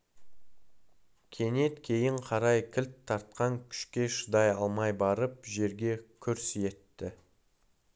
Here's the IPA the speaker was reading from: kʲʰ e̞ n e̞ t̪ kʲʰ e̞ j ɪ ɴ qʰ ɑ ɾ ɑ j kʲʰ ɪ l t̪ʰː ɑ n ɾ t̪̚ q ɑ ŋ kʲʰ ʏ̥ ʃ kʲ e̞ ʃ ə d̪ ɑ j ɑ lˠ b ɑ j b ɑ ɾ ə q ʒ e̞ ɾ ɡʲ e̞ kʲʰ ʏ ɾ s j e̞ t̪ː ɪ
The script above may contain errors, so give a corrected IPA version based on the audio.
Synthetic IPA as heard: kʲʰ e̞ n e̞ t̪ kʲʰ e̞ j ɪ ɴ qʰ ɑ ɾ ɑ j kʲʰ ɪ l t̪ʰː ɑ ɾ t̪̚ q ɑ ŋ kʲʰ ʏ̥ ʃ kʲ e̞ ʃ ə d̪ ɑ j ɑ lˠ m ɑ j b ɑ ɾ ə p ʒ e̞ ɾ ɡʲ e̞ kʲʰ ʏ ɾ s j e̞ t̪ː ɪ